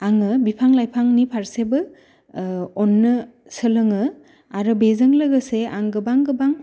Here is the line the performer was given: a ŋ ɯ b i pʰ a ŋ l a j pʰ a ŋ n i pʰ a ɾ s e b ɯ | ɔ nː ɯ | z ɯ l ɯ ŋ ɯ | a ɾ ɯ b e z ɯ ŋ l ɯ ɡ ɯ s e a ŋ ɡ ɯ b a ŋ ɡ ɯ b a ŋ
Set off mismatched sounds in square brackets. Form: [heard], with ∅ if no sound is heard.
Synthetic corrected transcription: a ŋ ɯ b i pʰ a ŋ l a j pʰ a ŋ n i pʰ a ɾ s e b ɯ | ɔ nː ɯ | [s] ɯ l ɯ ŋ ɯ | a ɾ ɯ b e z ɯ ŋ l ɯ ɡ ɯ s e a ŋ ɡ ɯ b a ŋ ɡ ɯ b a ŋ